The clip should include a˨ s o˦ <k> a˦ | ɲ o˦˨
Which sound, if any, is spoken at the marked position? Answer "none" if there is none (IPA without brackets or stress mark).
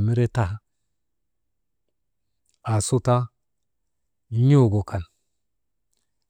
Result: t